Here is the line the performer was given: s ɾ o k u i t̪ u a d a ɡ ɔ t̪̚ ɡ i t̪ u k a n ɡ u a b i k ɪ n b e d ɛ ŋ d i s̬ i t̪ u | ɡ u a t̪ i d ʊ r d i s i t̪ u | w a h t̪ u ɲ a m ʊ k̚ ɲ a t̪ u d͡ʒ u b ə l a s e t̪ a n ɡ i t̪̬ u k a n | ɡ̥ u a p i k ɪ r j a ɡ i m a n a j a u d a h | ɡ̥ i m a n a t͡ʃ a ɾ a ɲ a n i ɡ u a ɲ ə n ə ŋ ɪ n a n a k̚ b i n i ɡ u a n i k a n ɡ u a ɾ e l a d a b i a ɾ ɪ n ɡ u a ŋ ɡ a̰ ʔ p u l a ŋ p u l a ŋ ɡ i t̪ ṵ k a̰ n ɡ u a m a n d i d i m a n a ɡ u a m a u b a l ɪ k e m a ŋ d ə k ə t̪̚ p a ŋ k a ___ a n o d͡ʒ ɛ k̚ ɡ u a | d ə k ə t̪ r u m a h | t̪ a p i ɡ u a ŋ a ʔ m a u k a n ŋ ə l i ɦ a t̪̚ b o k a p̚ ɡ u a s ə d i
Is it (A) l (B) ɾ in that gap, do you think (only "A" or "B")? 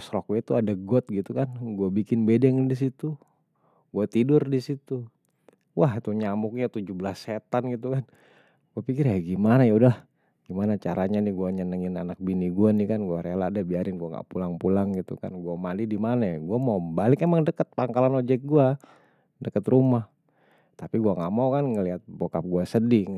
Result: A